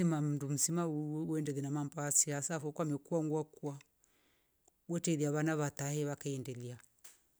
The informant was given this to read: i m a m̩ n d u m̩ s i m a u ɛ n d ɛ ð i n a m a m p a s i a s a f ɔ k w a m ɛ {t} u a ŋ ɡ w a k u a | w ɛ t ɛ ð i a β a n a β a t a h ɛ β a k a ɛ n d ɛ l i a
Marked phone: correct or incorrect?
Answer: incorrect